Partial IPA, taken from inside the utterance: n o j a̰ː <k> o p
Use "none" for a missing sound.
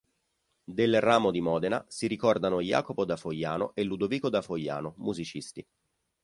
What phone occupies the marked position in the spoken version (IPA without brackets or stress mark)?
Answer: k